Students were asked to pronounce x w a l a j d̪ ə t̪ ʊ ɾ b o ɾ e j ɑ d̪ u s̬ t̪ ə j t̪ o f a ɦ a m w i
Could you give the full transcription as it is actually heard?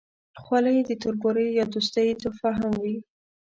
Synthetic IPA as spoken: x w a l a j d̪ ə t̪ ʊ ɾ b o ɾ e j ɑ d̪ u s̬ t̪ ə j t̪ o f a ɦ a m w i